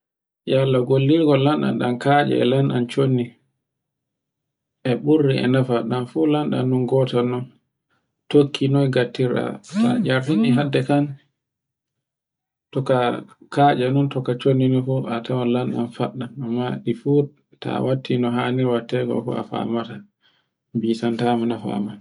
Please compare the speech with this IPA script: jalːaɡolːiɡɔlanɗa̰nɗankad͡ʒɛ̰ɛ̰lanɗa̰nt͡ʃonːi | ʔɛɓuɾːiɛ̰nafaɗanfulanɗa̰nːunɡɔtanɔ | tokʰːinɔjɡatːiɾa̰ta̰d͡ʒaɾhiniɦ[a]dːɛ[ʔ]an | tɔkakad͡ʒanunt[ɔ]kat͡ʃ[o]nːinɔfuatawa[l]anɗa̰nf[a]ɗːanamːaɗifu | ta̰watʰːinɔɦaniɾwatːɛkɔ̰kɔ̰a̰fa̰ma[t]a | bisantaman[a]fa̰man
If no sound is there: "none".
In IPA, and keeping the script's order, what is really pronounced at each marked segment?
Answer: a, k, ɔ, o, l, a, t, a

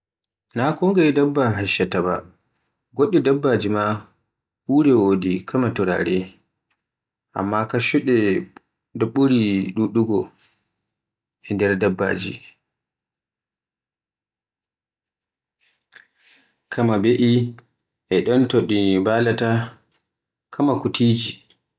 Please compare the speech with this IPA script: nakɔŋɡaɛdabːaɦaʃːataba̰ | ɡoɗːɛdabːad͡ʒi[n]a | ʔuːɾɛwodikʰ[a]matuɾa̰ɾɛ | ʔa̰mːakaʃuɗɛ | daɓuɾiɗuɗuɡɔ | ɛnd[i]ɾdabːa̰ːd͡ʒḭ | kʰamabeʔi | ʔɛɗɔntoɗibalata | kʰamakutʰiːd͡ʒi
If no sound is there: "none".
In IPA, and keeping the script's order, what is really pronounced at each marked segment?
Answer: m, a, ɛ

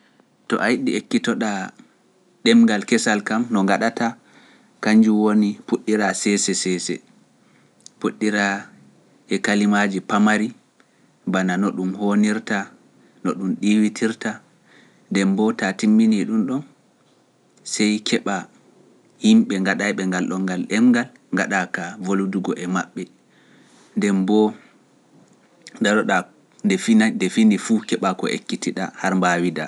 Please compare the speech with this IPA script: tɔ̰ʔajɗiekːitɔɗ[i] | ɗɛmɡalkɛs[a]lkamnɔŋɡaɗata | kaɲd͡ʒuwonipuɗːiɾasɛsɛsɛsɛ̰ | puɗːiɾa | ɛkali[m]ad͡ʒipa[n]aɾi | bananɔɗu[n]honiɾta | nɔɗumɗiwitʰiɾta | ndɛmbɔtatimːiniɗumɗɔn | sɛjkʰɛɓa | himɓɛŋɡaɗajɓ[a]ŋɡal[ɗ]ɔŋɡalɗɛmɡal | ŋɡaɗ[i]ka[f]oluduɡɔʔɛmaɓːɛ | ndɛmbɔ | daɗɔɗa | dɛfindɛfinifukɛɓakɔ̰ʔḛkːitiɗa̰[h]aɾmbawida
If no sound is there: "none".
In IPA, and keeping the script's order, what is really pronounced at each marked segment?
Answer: a, a, m, m, m, ɛ, ɗ, a, v, h

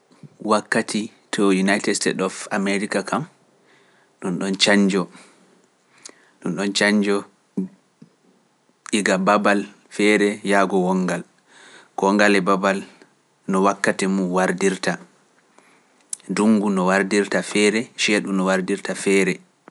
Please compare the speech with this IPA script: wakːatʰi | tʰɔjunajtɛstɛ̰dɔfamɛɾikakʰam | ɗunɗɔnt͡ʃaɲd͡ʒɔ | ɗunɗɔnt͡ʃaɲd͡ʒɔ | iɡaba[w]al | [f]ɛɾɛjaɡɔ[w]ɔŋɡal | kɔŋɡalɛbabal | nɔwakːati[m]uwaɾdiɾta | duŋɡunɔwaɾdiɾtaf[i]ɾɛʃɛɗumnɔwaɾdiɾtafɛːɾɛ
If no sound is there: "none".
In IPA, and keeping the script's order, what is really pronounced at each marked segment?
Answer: b, f, w, m, ɛ

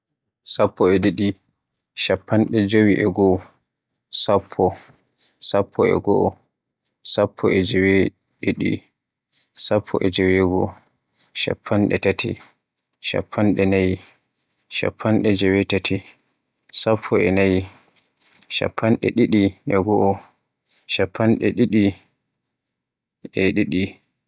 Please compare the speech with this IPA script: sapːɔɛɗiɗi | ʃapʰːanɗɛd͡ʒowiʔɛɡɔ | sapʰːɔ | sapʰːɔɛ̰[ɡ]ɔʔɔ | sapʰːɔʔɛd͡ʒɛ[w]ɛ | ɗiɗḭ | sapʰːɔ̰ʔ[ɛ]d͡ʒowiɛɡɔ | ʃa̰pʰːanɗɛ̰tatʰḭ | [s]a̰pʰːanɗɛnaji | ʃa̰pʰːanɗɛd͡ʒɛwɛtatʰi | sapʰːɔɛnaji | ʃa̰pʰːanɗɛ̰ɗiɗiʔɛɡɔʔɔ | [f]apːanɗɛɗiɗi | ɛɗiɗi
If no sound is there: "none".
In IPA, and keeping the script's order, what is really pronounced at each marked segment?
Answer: ɡ, w, ɛ, ʃ, ʃ

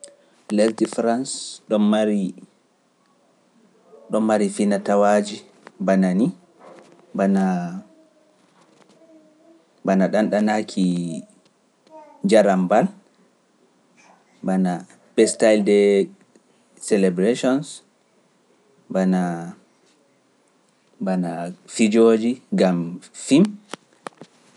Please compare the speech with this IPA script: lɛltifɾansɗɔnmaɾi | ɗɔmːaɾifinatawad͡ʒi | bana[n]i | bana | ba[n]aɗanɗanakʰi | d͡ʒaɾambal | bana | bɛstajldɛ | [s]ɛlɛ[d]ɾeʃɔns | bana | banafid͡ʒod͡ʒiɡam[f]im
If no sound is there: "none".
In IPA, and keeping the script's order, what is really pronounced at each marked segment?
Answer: n, n, s, b, f

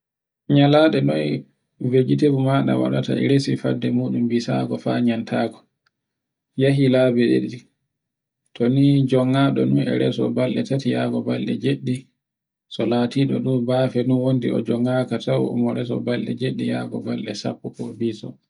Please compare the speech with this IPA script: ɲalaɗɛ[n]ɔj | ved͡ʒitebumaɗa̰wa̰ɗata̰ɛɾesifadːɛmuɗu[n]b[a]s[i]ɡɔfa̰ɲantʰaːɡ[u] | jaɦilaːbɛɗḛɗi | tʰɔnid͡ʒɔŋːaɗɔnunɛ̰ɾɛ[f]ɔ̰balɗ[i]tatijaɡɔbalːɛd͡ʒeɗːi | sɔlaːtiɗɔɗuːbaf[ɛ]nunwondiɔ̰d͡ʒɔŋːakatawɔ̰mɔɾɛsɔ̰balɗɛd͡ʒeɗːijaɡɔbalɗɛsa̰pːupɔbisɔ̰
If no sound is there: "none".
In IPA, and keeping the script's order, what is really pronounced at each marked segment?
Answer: n, m, i, a, ɔ, s, ɛ, ɛ

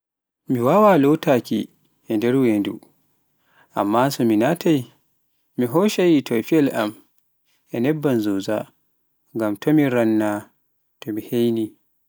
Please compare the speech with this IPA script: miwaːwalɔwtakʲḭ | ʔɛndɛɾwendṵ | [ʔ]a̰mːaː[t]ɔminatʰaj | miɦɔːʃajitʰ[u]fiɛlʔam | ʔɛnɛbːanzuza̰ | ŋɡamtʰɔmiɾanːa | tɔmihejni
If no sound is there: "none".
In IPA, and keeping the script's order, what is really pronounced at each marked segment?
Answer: ʔ, s, ɔ

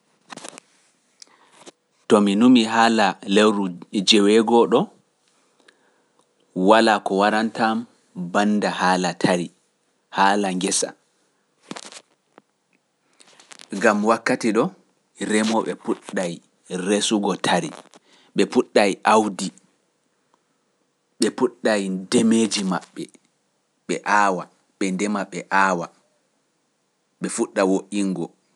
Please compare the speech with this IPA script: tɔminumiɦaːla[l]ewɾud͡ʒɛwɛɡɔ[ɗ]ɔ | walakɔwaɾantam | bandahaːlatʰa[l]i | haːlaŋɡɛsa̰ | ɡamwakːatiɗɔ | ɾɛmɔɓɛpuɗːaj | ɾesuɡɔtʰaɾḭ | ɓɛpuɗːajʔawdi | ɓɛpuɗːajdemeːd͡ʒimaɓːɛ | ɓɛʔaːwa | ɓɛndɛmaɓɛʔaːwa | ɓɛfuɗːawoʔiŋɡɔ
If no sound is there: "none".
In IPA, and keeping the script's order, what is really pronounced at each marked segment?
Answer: l, ɗ, ɾ

